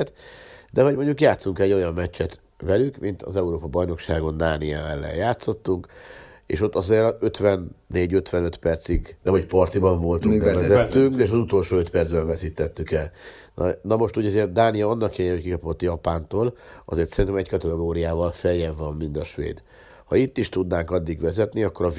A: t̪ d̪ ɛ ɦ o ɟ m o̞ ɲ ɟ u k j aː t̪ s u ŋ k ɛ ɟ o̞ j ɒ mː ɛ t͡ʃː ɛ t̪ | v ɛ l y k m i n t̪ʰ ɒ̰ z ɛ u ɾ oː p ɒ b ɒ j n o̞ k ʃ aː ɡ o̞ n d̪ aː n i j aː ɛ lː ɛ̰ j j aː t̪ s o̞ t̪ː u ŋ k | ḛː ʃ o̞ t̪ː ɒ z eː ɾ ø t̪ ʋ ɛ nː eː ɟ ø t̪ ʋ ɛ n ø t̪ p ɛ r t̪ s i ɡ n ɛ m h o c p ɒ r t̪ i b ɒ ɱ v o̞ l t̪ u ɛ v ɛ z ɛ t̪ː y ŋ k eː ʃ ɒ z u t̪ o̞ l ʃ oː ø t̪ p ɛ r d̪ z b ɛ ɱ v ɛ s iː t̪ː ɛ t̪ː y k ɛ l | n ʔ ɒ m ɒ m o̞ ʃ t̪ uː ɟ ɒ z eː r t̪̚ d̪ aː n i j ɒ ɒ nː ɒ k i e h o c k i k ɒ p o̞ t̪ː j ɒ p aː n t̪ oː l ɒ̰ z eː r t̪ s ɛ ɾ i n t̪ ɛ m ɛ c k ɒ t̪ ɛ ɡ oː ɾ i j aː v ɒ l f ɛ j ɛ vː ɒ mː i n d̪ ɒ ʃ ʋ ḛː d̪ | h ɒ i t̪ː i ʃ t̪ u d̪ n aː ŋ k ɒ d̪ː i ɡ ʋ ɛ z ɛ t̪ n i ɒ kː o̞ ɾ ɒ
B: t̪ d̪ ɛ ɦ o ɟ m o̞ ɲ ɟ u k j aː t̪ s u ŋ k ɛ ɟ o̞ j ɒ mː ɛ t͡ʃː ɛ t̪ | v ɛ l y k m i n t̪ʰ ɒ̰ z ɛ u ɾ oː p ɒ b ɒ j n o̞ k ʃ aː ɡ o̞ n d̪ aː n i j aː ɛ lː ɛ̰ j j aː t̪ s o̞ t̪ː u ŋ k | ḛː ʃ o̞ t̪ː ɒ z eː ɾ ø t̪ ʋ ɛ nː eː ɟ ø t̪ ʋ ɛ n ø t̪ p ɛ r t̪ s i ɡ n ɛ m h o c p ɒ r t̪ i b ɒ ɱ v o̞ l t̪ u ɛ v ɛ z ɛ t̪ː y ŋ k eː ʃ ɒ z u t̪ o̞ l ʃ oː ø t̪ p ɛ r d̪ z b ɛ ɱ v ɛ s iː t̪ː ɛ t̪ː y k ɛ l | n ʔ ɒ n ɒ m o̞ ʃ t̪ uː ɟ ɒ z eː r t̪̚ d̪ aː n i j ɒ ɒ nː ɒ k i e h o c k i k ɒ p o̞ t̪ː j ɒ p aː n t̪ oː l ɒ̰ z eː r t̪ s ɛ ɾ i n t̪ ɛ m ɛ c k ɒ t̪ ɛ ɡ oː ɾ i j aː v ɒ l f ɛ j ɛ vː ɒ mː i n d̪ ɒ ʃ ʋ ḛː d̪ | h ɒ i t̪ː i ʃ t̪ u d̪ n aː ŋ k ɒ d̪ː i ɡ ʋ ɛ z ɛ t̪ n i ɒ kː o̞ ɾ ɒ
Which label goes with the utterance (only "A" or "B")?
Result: B